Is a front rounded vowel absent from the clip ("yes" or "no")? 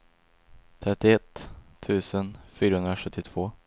no